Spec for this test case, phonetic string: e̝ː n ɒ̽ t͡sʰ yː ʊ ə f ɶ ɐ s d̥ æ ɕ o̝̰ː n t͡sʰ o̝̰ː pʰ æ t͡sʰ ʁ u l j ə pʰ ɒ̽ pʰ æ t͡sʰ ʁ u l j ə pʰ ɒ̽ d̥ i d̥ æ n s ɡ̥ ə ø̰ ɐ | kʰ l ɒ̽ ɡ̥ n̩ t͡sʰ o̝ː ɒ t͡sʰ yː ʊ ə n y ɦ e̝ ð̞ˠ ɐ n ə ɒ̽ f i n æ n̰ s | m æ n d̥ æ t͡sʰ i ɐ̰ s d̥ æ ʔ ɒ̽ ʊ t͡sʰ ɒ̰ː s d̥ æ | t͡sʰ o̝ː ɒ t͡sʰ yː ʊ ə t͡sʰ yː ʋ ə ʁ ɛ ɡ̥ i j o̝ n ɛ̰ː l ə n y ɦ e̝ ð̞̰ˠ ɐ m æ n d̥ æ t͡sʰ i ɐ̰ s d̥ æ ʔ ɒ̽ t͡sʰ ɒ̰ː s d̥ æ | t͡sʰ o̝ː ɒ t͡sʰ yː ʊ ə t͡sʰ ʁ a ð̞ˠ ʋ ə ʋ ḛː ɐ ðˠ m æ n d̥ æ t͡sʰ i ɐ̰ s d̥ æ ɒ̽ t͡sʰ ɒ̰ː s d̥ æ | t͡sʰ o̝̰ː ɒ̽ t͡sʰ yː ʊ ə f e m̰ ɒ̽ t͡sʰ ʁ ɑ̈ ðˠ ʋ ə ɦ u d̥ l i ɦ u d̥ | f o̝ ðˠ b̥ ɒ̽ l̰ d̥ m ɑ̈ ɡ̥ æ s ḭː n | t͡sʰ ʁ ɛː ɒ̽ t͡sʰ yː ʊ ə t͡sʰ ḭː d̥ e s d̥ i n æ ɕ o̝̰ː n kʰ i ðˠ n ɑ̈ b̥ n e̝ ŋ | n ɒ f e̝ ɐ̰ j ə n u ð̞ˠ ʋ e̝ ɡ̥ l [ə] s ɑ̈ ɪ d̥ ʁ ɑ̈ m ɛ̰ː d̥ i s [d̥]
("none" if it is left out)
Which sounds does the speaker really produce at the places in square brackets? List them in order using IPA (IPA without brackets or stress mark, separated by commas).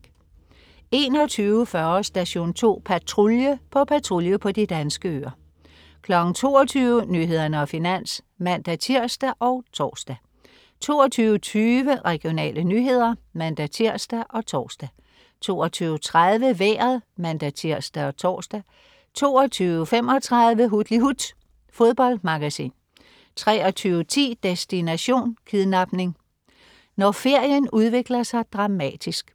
ɐ, ɡ̥